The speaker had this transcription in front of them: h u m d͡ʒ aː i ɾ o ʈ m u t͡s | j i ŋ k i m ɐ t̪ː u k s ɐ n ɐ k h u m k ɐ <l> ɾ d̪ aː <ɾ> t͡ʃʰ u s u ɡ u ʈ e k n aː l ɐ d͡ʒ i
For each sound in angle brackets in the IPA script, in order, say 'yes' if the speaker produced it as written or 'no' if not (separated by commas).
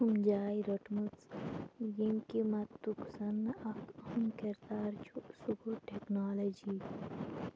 no, yes